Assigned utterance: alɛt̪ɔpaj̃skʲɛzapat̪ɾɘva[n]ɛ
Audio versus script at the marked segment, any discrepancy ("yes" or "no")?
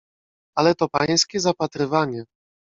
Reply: yes